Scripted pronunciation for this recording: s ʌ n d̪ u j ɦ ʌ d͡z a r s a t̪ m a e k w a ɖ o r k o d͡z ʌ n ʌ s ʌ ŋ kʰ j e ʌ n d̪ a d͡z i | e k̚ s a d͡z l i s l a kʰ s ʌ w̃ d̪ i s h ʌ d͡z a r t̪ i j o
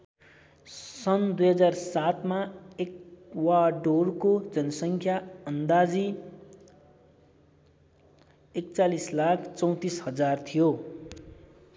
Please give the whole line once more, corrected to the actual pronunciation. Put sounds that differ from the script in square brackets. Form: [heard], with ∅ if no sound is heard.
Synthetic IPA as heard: s ʌ n d̪ u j ɦ ʌ d͡z a r s a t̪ m a e k w a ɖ o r k o d͡z ʌ n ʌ s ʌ ŋ kʰ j [a] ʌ n d̪ a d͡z i | e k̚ [t͡s] a [∅] l i s l a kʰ [t͡s] ʌ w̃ [t̪] i s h ʌ d͡z a r [t̪ʰ] i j o